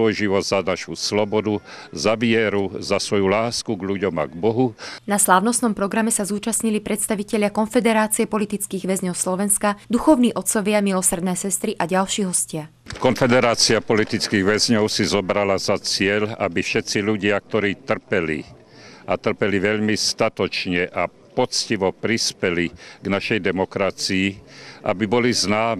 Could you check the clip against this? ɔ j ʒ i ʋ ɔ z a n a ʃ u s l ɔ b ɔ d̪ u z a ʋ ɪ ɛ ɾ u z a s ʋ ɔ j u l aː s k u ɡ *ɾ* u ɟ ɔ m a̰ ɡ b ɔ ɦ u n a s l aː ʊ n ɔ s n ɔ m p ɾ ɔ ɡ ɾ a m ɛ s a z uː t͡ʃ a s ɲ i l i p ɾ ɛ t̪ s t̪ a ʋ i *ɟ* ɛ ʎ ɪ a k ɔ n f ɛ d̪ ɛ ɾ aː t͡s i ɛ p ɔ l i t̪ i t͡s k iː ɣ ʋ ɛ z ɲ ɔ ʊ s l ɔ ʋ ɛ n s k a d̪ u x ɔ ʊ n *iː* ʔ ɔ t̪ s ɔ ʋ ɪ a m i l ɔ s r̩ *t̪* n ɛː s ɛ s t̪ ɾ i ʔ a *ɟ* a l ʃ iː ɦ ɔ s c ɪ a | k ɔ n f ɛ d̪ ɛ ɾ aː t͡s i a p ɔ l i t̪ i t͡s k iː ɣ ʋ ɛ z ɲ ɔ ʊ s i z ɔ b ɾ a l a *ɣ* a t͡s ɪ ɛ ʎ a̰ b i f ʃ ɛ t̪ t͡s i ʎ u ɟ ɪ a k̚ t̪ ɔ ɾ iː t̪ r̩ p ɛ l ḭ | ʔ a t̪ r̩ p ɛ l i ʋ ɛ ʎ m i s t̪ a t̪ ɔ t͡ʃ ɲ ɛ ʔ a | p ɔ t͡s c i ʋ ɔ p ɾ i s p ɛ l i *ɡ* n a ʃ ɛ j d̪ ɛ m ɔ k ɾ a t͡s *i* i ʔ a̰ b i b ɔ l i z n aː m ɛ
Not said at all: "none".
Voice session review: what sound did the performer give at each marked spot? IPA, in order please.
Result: ʎ, c, iː, d̪, ɟ, z, ɡ, i

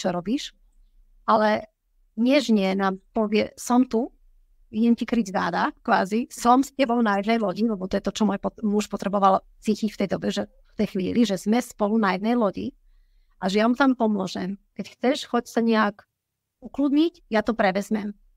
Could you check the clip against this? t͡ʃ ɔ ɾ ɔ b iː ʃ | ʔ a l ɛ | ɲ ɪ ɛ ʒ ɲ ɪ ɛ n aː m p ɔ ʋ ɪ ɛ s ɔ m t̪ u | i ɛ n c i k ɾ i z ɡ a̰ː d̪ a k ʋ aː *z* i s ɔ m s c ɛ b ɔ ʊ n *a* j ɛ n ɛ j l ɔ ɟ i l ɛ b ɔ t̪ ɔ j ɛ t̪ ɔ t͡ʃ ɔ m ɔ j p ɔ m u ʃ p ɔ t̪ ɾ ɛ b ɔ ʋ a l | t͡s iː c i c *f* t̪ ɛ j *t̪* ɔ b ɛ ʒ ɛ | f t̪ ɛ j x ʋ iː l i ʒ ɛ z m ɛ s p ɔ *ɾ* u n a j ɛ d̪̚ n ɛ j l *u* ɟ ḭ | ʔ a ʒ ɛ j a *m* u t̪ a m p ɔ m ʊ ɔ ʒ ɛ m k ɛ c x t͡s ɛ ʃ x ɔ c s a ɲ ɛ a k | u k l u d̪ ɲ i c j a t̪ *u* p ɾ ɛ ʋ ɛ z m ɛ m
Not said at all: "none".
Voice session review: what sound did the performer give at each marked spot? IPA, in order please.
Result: z, a, f, d̪, l, ɔ, m, ɔ

